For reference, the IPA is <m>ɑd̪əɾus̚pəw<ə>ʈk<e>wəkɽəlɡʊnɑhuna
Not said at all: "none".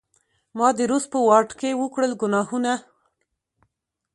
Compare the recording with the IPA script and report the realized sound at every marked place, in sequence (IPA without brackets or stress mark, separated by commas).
m, ɑ, e